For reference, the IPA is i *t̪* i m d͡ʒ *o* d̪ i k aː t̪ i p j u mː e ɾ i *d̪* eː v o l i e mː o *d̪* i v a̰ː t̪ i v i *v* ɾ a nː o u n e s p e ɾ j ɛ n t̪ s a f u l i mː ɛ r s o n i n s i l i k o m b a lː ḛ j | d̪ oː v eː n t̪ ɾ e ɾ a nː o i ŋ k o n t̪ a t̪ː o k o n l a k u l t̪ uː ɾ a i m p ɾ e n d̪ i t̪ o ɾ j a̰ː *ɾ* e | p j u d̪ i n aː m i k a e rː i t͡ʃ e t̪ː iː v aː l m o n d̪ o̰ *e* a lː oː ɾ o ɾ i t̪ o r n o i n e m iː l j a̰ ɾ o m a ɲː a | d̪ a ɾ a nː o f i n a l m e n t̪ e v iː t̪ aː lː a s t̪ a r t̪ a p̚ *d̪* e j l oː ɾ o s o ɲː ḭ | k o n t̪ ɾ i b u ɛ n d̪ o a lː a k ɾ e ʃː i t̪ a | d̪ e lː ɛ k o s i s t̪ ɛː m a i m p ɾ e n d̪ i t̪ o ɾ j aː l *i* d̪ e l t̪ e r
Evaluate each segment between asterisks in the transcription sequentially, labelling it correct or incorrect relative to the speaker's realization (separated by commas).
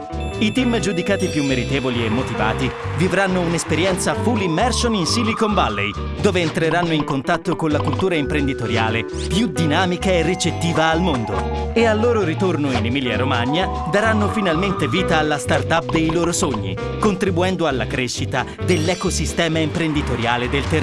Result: correct, incorrect, incorrect, incorrect, correct, incorrect, correct, correct, incorrect